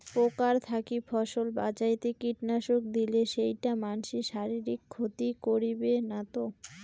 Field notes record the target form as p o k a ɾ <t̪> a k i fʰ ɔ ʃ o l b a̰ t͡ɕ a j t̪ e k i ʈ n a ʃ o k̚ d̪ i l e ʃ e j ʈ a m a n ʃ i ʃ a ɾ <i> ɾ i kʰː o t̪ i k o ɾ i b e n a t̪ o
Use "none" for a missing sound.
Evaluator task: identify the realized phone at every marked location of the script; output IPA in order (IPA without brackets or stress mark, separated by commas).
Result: t̪ʰ, i